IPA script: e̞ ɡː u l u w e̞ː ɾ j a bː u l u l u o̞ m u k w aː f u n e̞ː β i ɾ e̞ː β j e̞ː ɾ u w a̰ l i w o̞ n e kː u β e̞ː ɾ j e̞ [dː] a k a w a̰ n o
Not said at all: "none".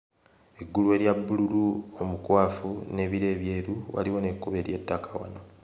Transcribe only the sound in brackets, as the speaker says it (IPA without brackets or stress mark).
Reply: tː